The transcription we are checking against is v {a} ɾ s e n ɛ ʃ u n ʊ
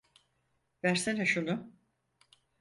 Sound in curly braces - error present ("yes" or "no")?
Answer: yes